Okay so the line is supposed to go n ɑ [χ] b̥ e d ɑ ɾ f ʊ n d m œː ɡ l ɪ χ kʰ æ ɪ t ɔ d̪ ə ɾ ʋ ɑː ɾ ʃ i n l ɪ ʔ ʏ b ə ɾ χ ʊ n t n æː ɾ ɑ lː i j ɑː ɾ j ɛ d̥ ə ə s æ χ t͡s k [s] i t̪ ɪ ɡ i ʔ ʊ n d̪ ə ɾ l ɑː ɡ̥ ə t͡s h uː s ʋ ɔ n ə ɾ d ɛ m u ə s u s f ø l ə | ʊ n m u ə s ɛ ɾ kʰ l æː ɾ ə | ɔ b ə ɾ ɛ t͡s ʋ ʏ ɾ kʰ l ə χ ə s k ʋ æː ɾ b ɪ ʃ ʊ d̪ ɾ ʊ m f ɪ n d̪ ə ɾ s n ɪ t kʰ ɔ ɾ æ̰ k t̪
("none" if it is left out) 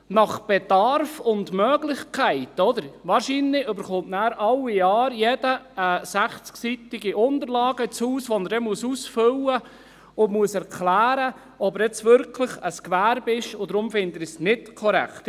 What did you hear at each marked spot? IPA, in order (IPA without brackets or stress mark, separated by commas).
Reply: χ, s